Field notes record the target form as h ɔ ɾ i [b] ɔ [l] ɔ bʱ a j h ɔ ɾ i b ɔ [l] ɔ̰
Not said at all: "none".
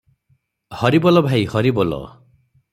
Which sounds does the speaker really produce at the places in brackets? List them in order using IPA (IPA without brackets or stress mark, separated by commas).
b, l, l